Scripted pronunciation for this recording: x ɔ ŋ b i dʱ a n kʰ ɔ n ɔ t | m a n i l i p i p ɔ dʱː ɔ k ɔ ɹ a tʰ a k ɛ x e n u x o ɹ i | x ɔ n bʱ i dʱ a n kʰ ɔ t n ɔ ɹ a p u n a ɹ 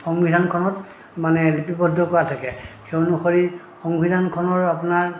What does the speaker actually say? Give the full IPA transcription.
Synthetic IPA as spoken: x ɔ ŋ b i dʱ a n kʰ ɔ n ɔ t | m a n ɛ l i p i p ɔ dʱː ɔ k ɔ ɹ a tʰ a k ɛ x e n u x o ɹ i | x ɔ ŋ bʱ i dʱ a n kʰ ɔ n ɔ ɹ a p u n a ɹ